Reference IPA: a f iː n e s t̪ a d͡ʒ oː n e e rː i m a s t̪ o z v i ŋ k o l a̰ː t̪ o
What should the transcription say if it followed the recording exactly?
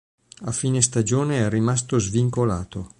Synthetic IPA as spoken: a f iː n e s t̪ a d͡ʒ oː n e ɛ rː i m a s t̪ o z v i ŋ k o l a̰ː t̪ o